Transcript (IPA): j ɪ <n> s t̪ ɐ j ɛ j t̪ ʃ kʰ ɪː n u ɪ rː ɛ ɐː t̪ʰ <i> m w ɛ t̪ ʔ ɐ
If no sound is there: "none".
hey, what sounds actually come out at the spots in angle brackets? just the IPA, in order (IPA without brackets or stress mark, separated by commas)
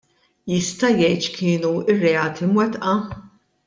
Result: none, i